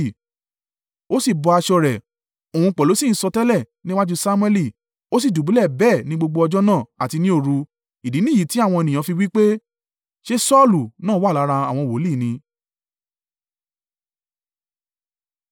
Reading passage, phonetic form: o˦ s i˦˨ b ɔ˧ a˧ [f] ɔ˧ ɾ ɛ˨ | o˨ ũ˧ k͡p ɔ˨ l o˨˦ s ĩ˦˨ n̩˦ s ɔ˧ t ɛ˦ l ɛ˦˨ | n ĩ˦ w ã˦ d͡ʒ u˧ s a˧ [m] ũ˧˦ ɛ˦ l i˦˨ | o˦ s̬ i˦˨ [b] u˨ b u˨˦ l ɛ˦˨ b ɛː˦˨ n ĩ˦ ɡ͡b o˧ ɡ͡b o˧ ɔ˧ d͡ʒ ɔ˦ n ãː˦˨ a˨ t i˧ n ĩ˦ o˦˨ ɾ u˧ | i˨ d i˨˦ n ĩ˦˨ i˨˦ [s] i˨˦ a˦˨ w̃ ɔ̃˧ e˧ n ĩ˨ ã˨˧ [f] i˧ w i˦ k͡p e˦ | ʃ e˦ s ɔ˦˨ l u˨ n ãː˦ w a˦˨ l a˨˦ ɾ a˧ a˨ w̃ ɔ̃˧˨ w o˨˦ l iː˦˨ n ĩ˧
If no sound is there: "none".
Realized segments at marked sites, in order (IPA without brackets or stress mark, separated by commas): ʃ, m, d, t, f